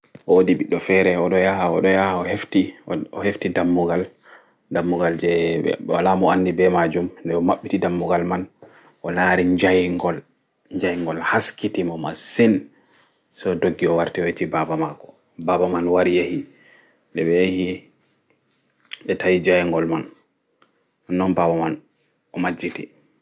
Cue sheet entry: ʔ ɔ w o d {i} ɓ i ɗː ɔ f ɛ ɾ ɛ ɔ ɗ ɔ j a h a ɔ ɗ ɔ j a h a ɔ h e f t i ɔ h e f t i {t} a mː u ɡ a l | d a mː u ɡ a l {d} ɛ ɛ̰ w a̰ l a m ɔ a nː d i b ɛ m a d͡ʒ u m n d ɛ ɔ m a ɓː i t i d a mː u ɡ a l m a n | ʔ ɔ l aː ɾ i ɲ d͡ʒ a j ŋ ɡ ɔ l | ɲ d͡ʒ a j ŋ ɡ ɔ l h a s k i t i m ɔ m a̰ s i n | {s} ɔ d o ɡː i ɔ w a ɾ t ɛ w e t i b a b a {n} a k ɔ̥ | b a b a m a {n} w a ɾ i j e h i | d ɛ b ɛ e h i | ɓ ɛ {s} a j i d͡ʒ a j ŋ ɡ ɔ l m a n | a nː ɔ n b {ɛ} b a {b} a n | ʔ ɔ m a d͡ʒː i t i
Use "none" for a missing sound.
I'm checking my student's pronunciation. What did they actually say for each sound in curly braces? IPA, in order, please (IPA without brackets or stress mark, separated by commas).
i, d, d͡ʒ, s, m, n, t, a, m